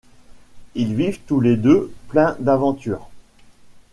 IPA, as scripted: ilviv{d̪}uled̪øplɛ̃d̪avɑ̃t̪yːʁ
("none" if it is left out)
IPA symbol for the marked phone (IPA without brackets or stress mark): t̪